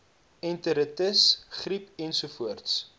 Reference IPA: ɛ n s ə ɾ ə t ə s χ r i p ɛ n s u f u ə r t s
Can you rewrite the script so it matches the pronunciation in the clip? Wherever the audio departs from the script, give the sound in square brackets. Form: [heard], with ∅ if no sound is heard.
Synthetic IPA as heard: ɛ n [t] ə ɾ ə t ə s χ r i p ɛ n s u f u ə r t s